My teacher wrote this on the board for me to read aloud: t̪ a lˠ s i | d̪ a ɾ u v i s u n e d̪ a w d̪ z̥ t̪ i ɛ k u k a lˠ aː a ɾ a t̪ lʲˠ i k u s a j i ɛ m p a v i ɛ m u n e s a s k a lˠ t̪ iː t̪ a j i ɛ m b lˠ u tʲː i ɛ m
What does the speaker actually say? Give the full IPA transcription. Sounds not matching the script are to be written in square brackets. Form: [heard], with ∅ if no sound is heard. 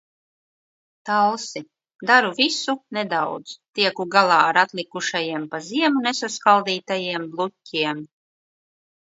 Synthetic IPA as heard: t̪ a lˠ s i | d̪ a ɾ u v i s u n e d̪ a w d̪ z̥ t̪ i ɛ k u [ɡ] a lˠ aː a ɾ a t̪ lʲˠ i k u [ʃ] a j i ɛ m p a [z] i ɛ m u n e s a s k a lˠ [d̪] iː t̪ a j i ɛ m b lˠ u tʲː i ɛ m

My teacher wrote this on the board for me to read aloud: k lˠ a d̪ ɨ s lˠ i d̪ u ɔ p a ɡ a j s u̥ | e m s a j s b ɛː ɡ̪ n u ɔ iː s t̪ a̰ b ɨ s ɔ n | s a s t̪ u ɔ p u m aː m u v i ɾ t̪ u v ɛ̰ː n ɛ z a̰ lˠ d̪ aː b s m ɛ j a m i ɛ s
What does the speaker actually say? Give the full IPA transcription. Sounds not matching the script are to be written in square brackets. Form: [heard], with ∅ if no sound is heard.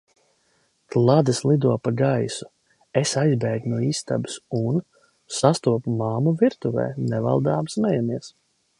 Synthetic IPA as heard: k lˠ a d̪ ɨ s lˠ i d̪ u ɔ p a ɡ a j s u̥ | e [∅] s a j [z] b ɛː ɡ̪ n u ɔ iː s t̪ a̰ b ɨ s [u] n | s a s t̪ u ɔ p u m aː m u v i ɾ t̪ u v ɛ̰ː n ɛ [v] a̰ lˠ d̪ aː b s m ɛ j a m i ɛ s

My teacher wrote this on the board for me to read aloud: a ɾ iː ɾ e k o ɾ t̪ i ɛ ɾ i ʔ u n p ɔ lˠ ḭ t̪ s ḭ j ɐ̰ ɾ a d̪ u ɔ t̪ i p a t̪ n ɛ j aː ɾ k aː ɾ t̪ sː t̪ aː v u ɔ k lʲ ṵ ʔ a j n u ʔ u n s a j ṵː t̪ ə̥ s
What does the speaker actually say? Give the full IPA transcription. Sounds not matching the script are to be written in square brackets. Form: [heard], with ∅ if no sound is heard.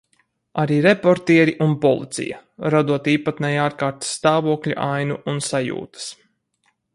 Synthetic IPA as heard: a ɾ iː ɾ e [p] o ɾ t̪ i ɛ ɾ i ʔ u n p ɔ lˠ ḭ t̪ s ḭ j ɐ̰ ɾ a d̪ u ɔ t̪ [iː] p a t̪ n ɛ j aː ɾ k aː ɾ t̪ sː t̪ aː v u ɔ k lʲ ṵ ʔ a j n u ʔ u n s a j ṵː t̪ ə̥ s

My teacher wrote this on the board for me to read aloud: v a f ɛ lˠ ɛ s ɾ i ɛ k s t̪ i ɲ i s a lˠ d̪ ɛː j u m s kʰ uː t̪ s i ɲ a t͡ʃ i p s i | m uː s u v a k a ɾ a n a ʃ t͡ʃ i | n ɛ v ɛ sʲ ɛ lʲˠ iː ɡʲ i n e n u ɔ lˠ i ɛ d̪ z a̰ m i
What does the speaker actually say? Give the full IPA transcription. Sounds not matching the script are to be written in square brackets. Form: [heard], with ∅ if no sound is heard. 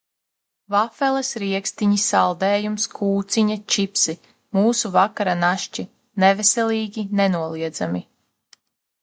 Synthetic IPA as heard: v a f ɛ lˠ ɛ s ɾ i ɛ k s t̪ i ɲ i s a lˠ d̪ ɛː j u m s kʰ uː t̪ s i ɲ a t͡ʃ i p s i | m uː s u v a k a ɾ a n a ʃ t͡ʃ i | n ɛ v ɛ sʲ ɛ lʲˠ iː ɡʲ i n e n u ɔ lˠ i ɛ d̪ z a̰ m i

